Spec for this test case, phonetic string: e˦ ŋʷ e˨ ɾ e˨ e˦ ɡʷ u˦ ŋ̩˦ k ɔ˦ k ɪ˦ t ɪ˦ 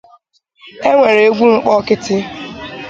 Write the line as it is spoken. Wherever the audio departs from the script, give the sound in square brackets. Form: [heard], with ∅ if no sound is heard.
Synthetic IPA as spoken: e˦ ŋʷ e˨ ɾ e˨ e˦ ɡʷ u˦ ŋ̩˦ [k͡p] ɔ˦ k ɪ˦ t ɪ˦